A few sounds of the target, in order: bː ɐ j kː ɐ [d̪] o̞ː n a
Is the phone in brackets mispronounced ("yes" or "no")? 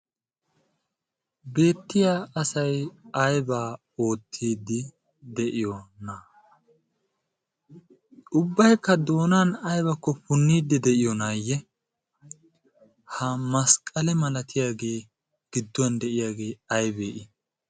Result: no